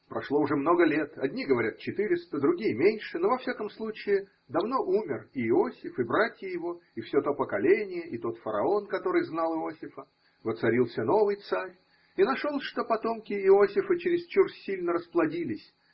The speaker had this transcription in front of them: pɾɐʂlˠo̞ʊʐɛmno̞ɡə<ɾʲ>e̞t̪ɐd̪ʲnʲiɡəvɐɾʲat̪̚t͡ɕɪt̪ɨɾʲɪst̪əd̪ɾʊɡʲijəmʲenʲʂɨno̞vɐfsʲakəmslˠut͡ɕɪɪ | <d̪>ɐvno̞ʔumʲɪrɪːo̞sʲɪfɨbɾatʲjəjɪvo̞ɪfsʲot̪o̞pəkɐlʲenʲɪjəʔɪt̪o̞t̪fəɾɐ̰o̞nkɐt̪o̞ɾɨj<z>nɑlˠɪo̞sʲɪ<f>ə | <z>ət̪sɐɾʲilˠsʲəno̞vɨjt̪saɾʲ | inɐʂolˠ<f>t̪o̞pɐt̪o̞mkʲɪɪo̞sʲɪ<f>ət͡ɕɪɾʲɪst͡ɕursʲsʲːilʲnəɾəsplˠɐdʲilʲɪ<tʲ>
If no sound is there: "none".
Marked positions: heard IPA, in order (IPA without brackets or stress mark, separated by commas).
lʲ, d̪, z, f, v, ʂ, f, sʲ